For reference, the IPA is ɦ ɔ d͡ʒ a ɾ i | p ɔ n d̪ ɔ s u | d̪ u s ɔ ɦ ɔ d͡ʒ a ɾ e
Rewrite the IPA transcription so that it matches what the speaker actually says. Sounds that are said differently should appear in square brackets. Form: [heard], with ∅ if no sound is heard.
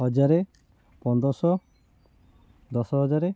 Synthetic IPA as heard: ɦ ɔ d͡ʒ a ɾ [e] | p ɔ n d̪ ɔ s [ɔ] | d̪ [ɔ] s ɔ ɦ ɔ d͡ʒ a ɾ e